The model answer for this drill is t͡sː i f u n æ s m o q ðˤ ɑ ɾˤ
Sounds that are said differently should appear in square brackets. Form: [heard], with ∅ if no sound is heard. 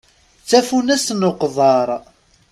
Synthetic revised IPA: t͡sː [æ] f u n æ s [n] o q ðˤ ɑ ɾˤ